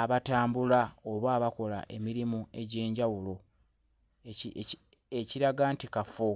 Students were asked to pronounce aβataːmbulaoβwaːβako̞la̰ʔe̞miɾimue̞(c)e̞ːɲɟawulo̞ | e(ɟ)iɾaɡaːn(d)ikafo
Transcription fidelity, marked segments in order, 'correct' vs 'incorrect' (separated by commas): incorrect, incorrect, incorrect